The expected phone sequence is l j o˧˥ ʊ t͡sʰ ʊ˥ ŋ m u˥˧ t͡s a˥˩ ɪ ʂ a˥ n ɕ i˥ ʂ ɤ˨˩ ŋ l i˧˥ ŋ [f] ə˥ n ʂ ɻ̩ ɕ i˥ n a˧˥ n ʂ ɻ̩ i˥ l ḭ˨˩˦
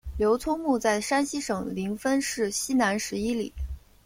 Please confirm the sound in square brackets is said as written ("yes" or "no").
yes